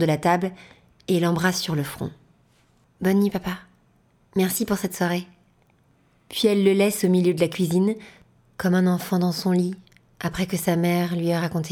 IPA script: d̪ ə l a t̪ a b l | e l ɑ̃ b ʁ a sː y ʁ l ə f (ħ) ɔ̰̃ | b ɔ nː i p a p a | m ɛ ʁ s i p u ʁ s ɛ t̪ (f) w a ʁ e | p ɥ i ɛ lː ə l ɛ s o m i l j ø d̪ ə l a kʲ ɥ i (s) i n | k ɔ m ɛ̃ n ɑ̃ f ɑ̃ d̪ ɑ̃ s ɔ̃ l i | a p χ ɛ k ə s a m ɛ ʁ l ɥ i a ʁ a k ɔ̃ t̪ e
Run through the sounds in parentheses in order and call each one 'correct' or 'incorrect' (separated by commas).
incorrect, incorrect, incorrect